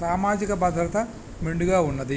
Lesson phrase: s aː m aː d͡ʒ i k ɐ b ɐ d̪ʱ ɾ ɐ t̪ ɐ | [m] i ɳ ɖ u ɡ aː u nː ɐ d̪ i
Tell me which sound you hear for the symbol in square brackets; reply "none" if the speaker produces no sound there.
m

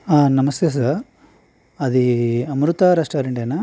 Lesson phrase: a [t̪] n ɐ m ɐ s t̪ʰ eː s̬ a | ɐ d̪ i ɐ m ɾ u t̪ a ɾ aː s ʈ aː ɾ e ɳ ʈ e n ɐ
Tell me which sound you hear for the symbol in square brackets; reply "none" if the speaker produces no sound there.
none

